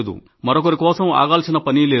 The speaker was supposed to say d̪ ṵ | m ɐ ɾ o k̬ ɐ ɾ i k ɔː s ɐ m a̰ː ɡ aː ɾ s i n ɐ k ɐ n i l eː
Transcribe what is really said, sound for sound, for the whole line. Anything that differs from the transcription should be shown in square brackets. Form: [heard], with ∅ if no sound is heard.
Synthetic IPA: d̪ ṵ | m ɐ ɾ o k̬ ɐ ɾ i k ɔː s ɐ m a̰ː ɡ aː [l] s i n ɐ [p] ɐ n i l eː